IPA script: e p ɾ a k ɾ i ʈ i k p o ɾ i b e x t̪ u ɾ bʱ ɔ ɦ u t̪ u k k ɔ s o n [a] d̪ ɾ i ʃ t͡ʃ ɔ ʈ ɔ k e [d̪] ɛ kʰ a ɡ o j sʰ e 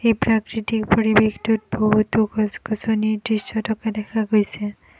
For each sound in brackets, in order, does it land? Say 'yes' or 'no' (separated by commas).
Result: no, yes